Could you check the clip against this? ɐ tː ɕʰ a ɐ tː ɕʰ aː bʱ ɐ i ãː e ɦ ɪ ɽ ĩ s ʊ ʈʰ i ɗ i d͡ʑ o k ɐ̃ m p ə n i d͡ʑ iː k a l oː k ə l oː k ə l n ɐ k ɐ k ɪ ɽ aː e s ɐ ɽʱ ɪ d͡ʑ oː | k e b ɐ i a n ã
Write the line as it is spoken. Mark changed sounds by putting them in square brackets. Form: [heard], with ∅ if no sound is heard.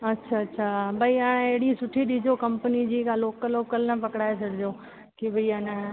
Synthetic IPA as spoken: ɐ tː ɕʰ a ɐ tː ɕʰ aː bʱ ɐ i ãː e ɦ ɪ ɽ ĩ s ʊ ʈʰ i ɗ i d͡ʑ o k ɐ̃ m p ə n i d͡ʑ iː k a l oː k ə l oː k ə l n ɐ [p] ɐ k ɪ ɽ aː e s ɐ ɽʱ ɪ d͡ʑ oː | k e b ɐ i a n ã